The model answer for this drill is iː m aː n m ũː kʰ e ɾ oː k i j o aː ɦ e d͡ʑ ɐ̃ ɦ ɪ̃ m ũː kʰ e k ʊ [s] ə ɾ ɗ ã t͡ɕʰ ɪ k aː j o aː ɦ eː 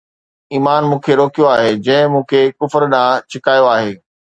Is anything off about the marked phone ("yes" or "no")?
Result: yes